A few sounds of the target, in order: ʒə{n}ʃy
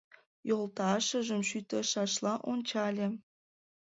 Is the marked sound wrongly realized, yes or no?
yes